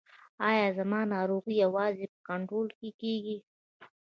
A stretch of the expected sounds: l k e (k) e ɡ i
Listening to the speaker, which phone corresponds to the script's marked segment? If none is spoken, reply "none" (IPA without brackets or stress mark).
k